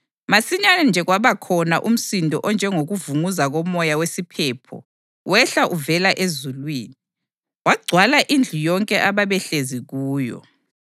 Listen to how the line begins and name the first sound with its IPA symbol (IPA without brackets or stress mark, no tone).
m